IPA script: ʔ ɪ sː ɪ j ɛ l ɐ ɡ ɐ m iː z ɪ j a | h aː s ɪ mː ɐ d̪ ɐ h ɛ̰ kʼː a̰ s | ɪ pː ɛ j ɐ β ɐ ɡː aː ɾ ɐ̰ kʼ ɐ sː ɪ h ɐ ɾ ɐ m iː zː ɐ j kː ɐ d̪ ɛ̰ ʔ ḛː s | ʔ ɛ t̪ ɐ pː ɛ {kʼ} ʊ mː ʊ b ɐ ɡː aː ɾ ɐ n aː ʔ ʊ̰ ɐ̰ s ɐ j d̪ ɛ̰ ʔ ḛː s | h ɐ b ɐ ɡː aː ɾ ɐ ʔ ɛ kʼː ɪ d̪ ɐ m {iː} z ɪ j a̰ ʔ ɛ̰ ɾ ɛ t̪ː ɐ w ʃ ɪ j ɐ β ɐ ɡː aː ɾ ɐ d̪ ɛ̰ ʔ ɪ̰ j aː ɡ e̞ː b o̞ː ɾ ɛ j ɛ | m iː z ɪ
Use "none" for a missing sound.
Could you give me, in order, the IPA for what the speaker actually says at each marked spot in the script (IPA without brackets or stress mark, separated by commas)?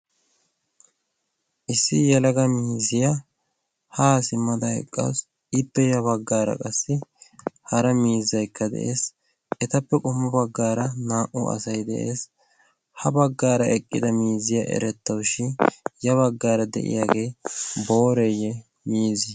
kʼ, iː